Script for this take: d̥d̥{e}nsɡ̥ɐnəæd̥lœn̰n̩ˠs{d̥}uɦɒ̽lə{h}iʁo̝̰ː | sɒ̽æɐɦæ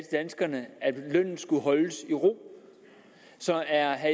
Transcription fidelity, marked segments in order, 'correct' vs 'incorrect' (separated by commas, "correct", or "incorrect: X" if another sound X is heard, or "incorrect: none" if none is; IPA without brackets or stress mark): incorrect: æ, incorrect: ɡ̥, incorrect: s